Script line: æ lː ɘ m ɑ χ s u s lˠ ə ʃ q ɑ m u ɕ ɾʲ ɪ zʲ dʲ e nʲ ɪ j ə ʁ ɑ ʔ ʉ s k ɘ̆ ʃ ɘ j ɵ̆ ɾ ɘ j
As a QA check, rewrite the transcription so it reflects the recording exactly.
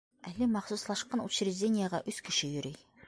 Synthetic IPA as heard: æ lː ɘ m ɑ χ s u s lˠ ɑ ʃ q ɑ n u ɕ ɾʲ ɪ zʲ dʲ e nʲ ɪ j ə ʁ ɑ ʔ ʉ s k ɘ̆ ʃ ɘ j ɵ̆ ɾ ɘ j